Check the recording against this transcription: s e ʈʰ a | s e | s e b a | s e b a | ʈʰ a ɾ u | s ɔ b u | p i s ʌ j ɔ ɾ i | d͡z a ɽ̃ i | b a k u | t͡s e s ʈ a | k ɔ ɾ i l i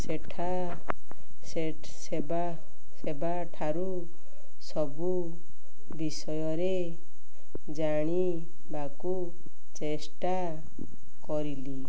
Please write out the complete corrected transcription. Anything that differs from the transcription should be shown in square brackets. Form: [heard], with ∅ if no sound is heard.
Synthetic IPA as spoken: s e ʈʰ a | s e | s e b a | s e b a | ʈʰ a ɾ u | s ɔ b u | [b] i s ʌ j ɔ ɾ [e] | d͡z a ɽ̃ i | b a k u | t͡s e s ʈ a | k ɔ ɾ i l i